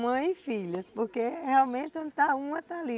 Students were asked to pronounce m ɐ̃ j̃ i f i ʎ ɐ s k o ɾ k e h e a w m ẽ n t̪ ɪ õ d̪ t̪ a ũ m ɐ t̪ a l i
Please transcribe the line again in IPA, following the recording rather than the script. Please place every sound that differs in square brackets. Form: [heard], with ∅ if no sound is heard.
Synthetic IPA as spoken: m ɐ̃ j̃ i f i ʎ ɐ s [p] o ɾ k e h e a w m ẽ n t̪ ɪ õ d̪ t̪ a ũ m ɐ t̪ a l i